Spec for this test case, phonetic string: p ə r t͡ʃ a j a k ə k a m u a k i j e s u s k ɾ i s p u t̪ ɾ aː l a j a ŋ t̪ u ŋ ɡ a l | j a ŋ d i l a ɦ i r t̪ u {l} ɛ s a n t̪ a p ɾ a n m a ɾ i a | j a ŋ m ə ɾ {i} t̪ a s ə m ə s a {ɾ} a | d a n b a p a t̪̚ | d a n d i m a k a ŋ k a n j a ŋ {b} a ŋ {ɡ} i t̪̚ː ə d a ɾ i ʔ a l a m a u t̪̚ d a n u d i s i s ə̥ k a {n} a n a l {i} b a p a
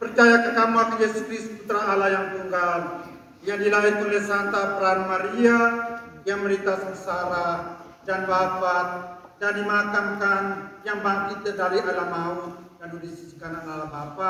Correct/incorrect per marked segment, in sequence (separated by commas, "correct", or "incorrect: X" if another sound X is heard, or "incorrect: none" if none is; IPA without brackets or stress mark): correct, correct, correct, correct, incorrect: k, correct, incorrect: a